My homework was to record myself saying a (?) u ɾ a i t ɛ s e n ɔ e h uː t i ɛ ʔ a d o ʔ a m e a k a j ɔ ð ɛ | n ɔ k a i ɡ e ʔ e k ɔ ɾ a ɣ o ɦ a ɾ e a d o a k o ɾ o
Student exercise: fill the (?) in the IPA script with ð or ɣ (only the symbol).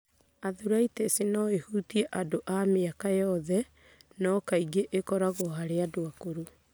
ð